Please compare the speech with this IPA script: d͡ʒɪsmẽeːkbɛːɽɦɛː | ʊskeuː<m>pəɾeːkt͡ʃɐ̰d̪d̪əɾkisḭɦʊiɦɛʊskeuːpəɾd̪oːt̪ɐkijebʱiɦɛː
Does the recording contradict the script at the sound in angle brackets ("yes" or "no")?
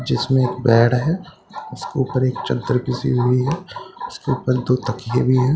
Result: yes